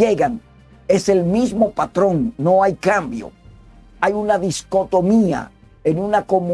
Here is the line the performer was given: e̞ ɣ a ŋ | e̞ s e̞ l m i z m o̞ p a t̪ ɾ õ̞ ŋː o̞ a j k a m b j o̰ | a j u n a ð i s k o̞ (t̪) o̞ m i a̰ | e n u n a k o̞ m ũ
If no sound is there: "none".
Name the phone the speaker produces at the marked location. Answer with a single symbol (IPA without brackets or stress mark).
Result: t̪